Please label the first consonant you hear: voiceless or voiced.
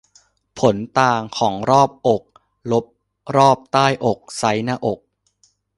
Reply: voiceless